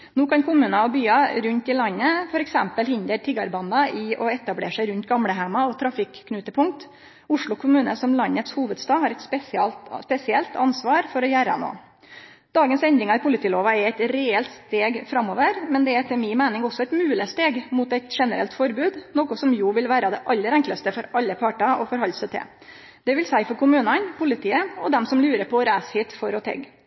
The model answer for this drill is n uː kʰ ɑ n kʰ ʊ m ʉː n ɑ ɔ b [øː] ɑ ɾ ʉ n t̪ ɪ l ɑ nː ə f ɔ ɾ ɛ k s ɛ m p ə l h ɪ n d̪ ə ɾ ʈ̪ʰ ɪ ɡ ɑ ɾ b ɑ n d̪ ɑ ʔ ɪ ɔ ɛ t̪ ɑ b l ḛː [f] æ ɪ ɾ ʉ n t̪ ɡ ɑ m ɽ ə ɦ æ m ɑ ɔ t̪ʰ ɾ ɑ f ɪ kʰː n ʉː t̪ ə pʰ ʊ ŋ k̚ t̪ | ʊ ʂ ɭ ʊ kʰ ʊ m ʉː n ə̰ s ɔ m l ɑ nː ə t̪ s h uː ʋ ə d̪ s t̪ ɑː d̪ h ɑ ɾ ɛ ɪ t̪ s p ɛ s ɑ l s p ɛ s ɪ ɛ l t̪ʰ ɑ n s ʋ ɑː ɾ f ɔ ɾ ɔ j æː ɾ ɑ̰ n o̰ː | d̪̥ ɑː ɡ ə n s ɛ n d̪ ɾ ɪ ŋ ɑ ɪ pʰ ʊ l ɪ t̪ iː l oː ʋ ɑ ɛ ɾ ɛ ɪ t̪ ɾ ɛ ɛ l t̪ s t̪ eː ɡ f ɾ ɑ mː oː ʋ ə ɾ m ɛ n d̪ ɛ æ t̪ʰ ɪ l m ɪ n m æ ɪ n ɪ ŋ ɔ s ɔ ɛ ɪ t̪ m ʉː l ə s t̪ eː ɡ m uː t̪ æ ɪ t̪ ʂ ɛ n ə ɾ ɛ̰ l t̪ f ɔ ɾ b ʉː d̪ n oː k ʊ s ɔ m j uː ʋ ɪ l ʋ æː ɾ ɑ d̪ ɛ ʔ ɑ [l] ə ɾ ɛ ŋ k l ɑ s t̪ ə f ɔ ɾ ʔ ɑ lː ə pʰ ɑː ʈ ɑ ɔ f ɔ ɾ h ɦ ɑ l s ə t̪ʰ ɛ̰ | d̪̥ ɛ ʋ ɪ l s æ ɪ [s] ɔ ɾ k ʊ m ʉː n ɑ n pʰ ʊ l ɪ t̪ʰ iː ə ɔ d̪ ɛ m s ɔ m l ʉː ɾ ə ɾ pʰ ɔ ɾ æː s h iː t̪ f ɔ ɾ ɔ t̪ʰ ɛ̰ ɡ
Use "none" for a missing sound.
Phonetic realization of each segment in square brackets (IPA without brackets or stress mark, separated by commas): yː, ʂ, lː, f